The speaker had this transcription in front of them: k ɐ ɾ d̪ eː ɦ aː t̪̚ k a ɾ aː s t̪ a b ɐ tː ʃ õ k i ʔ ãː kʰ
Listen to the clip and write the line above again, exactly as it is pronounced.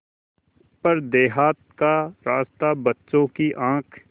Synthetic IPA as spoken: p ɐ ɾ d̪ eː ɦ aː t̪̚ k a ɾ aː s t̪ a b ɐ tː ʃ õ k i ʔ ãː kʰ